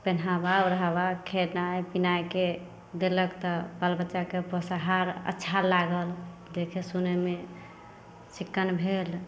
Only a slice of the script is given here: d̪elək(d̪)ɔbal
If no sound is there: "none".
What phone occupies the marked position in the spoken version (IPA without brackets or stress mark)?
t̪